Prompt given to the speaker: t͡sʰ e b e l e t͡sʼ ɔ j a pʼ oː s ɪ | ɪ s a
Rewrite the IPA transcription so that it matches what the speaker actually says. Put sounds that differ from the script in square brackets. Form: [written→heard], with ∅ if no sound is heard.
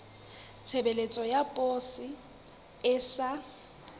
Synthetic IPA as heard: t͡sʰ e b e l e t͡sʼ ɔ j a pʼ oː s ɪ | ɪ s a